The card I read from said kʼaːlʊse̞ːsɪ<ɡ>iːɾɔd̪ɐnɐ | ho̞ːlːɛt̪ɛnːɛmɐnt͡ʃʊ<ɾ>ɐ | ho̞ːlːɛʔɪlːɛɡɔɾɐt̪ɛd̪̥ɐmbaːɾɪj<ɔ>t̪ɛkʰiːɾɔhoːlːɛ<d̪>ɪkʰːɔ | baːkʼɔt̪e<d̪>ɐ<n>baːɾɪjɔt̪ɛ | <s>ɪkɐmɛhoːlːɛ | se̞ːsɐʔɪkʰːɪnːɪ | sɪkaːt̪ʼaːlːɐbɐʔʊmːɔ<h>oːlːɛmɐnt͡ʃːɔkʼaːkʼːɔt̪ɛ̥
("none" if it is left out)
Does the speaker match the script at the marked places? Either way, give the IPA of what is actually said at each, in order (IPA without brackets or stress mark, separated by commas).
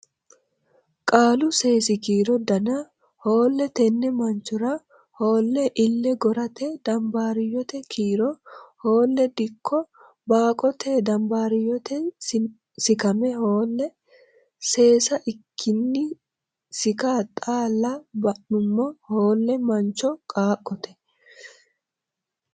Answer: k, ɾ, ɔ, d̪, d̪, m, s, h